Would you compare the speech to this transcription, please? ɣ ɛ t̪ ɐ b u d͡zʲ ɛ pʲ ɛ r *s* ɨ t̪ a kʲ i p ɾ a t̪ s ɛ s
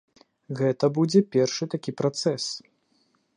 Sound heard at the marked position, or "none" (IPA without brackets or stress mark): ʂ